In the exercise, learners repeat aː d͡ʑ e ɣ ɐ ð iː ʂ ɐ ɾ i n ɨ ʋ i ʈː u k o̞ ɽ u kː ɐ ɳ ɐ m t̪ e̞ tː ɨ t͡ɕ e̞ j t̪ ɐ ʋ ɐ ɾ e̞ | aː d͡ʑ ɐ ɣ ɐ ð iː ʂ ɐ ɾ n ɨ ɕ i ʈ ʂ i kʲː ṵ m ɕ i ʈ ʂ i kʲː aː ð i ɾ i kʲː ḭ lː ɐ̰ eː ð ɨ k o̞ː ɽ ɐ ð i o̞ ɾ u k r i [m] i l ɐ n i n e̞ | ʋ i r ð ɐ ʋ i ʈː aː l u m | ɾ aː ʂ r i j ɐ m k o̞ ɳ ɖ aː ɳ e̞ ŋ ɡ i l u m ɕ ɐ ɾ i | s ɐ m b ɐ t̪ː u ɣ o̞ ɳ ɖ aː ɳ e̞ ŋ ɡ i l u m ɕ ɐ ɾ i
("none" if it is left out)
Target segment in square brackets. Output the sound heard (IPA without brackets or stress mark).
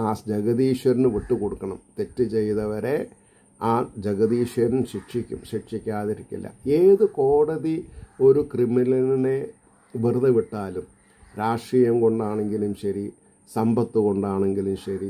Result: m